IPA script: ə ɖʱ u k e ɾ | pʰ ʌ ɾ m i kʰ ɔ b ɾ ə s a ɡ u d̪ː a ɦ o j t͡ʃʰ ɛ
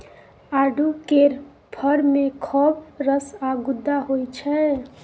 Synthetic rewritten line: a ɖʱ u k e ɾ | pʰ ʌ ɾ m e kʰ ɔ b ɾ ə s a ɡ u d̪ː a ɦ o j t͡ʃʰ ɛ